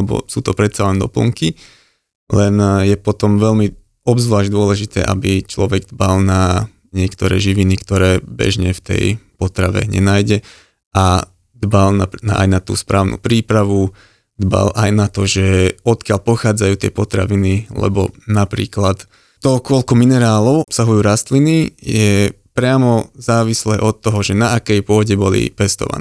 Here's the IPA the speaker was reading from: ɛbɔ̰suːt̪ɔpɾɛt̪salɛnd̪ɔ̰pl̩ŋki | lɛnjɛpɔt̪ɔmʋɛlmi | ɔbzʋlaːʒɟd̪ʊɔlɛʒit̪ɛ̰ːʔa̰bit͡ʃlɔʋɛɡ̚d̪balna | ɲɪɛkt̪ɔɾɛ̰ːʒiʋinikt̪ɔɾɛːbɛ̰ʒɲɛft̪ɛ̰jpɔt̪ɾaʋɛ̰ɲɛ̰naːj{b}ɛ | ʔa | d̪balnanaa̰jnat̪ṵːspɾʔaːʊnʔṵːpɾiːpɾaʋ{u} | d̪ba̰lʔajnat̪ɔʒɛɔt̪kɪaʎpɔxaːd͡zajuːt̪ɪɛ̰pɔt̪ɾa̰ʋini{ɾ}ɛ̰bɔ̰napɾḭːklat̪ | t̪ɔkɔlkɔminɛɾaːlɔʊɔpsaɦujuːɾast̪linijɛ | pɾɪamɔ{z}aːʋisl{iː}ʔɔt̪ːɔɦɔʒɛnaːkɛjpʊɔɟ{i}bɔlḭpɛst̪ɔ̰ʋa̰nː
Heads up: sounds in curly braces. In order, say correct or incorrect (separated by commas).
incorrect, correct, incorrect, correct, incorrect, incorrect